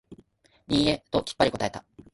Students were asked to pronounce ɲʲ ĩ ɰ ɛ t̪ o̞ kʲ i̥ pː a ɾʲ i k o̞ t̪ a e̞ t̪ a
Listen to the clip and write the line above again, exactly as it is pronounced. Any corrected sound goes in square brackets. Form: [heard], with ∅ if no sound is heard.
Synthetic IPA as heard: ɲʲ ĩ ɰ [e] t̪ o̞ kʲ i̥ pː a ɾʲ i k o̞ t̪ a e̞ t̪ a